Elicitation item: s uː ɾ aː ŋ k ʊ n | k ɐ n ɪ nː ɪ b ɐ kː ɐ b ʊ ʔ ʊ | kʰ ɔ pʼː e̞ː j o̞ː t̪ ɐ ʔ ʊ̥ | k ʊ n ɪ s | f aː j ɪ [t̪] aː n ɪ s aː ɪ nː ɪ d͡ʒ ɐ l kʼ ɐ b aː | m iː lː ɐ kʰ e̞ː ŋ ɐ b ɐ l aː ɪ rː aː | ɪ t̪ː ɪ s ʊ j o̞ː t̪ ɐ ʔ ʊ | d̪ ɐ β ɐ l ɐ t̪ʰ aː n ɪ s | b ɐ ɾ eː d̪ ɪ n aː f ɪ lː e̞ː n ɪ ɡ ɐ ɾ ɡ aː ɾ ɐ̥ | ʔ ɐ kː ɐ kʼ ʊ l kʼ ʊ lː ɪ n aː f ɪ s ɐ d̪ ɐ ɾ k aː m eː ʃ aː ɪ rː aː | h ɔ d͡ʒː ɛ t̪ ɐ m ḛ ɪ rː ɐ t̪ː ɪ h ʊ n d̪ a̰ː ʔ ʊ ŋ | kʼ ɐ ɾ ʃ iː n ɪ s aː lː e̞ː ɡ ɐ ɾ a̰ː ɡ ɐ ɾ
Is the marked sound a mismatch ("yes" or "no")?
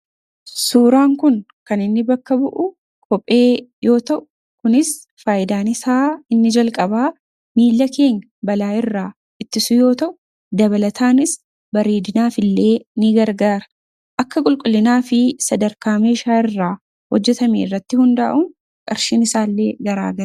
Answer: yes